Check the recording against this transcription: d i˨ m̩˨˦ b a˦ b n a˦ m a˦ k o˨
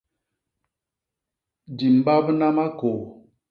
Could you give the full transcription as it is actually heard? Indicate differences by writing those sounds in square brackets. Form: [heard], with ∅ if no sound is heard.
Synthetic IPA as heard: d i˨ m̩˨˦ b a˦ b n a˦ m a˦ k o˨